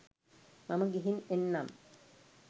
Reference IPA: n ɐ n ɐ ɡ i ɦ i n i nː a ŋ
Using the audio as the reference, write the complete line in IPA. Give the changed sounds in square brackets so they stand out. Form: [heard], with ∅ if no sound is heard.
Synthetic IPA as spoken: [m] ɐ [m] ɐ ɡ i ɦ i n [e] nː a [m]